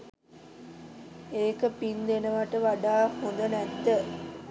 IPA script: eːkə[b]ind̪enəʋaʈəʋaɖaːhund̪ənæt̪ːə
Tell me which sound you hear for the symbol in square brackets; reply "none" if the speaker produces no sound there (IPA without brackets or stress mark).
p